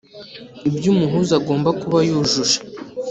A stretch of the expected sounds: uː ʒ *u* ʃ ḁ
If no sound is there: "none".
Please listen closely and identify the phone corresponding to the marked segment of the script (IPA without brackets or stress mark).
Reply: u